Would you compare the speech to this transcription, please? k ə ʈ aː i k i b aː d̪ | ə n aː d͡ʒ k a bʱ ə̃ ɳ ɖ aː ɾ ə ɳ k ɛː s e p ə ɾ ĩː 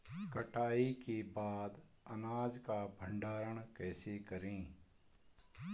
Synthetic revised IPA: k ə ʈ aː i k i b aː d̪ | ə n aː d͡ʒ k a bʱ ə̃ ɳ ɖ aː ɾ ə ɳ k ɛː s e k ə ɾ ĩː